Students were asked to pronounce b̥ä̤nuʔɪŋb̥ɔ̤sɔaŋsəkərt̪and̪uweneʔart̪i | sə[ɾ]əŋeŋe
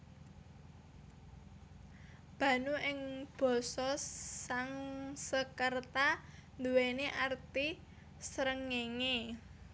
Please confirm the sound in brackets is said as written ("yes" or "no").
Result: yes